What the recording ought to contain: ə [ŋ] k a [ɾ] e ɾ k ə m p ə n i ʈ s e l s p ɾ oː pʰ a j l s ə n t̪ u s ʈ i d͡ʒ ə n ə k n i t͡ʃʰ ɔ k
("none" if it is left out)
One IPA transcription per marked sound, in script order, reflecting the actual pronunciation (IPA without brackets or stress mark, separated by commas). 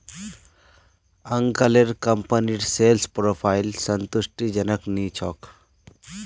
ŋ, l